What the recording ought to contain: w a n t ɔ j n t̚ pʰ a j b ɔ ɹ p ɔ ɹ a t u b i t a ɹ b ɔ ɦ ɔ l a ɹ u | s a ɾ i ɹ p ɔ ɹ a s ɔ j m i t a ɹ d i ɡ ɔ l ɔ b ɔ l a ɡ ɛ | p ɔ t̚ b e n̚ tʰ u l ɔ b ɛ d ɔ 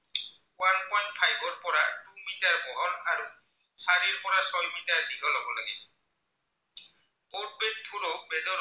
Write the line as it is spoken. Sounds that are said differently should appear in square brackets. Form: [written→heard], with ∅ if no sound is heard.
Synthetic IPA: w a n [t→p] ɔ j n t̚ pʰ a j b ɔ ɹ p ɔ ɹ a t u [b→m] i t a ɹ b ɔ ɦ ɔ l a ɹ u | s a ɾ i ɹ p ɔ ɹ a s ɔ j m i t a ɹ d i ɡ ɔ l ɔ b ɔ l a ɡ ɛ | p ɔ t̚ b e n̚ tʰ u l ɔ b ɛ d ɔ